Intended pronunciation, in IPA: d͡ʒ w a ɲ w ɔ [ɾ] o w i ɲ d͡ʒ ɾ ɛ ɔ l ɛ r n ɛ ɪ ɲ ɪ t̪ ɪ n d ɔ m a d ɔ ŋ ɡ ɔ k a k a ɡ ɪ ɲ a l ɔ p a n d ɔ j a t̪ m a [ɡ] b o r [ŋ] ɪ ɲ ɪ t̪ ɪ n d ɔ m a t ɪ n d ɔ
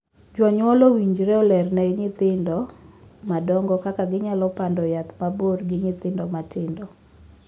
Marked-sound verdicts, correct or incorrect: incorrect, incorrect, incorrect

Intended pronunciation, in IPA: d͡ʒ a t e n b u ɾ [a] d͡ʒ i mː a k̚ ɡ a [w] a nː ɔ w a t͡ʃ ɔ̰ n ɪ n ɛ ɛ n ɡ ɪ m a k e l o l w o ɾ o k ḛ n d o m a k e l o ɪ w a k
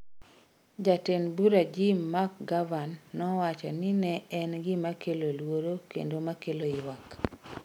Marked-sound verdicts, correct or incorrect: correct, incorrect

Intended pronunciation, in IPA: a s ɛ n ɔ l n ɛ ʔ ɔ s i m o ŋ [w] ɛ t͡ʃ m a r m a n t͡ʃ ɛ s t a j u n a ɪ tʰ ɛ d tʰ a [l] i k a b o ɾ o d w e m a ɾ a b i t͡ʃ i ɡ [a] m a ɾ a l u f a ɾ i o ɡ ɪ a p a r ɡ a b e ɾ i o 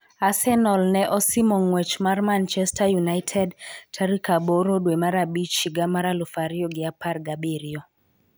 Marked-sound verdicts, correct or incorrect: correct, incorrect, correct

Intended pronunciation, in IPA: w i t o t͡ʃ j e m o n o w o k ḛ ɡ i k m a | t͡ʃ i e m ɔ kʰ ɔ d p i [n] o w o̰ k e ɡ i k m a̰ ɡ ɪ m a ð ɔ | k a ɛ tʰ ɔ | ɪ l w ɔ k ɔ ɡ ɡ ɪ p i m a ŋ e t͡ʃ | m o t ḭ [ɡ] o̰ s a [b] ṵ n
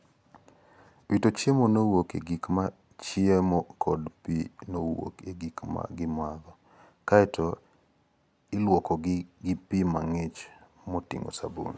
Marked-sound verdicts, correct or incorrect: correct, incorrect, correct

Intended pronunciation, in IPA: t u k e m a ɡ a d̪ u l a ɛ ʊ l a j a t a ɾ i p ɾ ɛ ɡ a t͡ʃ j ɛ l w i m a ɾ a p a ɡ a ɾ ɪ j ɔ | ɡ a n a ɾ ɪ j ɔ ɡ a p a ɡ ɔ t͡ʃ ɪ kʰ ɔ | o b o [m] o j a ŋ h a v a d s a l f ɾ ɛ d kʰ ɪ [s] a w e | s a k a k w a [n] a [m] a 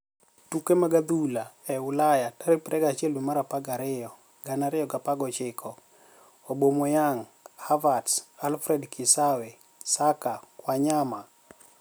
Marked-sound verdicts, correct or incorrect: correct, correct, incorrect, correct

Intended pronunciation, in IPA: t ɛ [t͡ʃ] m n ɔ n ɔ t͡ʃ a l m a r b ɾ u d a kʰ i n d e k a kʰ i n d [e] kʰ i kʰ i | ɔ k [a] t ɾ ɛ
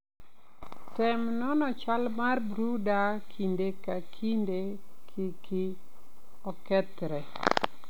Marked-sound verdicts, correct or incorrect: incorrect, correct, incorrect

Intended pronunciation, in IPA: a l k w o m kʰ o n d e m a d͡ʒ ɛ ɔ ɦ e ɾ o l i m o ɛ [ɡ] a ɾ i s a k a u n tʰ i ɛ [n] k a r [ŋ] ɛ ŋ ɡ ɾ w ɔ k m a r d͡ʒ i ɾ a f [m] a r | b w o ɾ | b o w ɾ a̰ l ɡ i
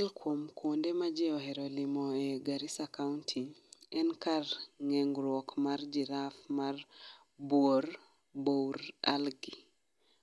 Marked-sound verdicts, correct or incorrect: correct, correct, correct, correct

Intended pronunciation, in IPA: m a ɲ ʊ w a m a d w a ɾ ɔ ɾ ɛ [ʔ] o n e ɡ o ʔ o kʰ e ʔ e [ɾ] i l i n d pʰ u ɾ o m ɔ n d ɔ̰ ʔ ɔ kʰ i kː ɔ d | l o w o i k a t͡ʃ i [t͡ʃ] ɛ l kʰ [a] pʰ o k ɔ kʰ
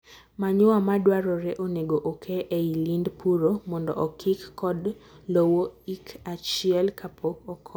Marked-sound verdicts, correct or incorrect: correct, incorrect, incorrect, correct

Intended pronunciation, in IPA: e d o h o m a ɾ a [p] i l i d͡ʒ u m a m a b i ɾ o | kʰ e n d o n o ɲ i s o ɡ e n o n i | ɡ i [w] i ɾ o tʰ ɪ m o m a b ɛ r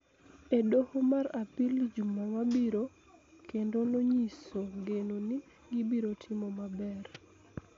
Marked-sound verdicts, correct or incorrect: correct, incorrect

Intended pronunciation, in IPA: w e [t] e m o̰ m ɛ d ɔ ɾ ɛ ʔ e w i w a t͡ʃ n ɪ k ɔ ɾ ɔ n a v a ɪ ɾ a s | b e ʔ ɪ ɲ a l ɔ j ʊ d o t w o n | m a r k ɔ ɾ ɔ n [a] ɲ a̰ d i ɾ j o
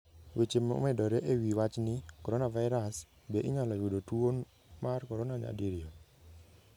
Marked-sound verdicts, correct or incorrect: incorrect, correct

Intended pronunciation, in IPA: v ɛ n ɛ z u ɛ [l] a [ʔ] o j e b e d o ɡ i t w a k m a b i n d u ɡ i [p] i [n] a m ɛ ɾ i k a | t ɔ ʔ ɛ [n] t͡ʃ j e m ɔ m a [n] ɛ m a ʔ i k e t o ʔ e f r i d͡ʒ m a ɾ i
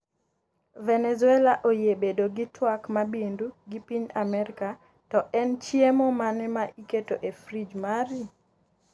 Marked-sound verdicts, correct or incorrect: correct, correct, correct, incorrect, correct, correct

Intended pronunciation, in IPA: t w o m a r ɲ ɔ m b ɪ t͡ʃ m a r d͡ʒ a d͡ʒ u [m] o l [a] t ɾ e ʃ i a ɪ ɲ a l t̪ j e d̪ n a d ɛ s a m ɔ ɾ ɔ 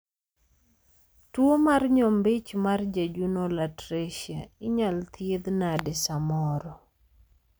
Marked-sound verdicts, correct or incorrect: incorrect, correct

